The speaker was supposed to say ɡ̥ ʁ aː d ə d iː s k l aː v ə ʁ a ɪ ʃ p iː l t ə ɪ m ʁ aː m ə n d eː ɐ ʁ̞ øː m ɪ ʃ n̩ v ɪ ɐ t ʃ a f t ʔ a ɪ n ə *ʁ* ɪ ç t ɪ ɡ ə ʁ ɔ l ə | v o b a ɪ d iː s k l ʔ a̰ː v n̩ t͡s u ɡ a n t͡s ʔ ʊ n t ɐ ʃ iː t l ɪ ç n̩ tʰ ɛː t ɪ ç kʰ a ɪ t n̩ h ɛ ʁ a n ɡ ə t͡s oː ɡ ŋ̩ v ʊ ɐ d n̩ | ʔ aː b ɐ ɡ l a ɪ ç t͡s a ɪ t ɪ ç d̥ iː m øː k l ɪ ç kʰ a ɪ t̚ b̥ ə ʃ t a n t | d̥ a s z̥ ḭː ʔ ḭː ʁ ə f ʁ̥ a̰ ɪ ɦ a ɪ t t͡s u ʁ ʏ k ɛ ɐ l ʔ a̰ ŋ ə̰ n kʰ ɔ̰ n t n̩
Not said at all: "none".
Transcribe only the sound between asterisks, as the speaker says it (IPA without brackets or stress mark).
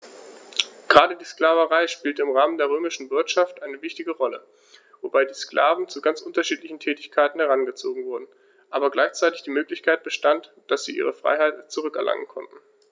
v